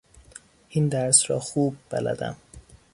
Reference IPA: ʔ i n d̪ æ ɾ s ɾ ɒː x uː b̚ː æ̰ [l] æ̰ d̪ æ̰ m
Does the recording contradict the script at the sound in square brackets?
no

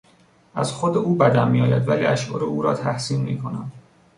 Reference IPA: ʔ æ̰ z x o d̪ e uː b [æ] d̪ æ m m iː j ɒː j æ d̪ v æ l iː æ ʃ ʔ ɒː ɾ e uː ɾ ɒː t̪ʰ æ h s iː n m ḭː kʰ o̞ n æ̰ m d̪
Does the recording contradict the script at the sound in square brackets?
no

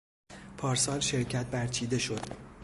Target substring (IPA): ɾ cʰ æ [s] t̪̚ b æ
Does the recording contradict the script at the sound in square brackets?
yes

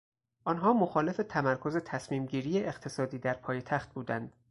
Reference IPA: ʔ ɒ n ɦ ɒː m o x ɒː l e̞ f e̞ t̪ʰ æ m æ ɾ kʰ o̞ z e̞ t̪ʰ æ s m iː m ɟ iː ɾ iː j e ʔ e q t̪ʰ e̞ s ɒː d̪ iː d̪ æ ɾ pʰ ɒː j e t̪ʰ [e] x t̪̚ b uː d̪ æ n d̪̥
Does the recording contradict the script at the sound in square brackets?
yes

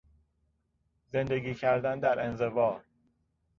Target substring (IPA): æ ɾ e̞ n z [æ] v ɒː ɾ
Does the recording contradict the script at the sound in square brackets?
yes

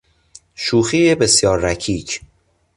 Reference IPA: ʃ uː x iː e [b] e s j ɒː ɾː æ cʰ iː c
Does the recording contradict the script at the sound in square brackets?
no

